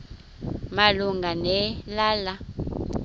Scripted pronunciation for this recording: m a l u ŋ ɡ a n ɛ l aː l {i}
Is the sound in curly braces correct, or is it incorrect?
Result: incorrect: a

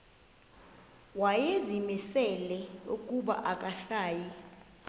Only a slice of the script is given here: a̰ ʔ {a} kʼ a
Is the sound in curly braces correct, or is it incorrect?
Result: correct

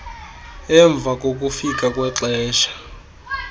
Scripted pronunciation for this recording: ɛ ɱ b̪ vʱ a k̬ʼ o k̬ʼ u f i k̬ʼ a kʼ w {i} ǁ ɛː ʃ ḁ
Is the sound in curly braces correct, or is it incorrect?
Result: incorrect: ɛ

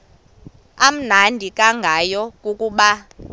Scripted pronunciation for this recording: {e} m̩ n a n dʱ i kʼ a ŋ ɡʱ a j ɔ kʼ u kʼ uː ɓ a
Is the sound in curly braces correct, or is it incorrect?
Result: incorrect: a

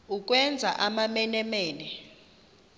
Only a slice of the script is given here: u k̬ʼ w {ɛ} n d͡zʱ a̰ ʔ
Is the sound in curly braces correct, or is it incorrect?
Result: correct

